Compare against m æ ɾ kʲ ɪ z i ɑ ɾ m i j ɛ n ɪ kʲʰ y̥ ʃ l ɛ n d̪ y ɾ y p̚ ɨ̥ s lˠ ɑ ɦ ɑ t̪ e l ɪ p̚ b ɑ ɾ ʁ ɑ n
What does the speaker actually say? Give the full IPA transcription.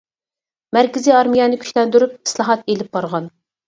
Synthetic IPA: m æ ɾ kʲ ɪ z i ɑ ɾ m i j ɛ n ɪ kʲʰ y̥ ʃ l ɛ n d̪ y ɾ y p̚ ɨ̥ s lˠ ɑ ɦ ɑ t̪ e l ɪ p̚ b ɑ ɾ ʁ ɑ n